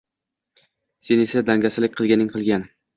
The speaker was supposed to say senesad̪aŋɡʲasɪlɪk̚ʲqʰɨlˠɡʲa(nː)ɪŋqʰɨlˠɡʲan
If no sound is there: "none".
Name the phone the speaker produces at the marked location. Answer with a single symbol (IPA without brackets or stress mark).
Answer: n